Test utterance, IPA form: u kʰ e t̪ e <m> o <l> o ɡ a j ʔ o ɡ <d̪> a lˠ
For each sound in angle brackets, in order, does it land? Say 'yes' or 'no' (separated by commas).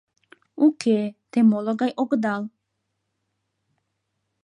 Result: yes, yes, yes